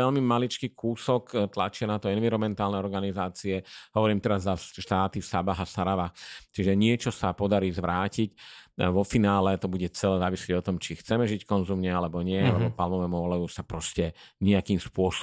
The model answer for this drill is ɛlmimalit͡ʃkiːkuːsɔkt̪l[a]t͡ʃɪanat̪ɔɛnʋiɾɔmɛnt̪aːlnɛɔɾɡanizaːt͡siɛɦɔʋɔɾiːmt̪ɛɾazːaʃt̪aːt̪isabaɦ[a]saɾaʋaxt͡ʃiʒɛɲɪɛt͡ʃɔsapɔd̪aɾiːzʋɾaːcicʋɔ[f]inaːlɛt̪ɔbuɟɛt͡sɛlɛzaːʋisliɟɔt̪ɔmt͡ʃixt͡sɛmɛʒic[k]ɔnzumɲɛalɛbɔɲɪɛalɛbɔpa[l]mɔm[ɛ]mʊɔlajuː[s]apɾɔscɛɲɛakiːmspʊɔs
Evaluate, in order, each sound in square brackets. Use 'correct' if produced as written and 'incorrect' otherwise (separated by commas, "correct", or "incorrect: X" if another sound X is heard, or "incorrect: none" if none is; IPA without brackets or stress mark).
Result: correct, correct, correct, correct, correct, correct, correct